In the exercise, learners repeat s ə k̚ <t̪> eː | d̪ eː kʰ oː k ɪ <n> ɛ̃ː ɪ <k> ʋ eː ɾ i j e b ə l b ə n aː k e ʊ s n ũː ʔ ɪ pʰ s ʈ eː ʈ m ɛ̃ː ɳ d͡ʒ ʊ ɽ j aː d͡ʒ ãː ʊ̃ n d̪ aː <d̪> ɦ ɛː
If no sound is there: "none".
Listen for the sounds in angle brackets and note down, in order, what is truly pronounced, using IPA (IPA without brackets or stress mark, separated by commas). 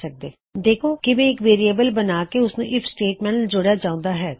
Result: d̪, m, k, none